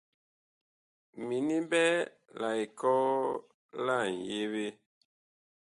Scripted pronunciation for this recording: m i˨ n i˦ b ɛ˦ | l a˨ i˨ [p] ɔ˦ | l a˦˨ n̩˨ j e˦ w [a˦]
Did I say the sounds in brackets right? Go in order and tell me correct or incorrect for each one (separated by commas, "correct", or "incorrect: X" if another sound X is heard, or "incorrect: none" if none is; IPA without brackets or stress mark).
incorrect: k, incorrect: e˦